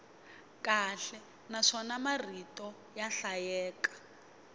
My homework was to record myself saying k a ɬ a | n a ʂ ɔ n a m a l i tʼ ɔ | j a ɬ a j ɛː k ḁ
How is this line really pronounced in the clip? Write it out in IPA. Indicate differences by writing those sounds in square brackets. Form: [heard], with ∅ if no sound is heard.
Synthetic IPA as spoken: k a ɬ [ɛ] | n a ʂ ɔ n a m a [r] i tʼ ɔ | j a ɬ a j ɛː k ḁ